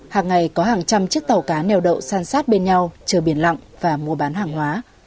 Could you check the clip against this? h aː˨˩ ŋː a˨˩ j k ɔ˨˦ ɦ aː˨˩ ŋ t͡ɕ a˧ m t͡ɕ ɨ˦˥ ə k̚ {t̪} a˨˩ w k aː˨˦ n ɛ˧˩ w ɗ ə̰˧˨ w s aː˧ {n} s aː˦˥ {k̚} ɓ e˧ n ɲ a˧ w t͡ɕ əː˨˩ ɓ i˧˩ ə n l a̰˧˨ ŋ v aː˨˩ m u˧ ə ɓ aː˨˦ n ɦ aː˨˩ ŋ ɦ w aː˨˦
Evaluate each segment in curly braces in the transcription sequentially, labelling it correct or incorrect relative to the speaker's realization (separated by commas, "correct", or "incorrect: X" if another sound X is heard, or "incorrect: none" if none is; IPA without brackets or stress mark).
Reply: correct, correct, incorrect: t̚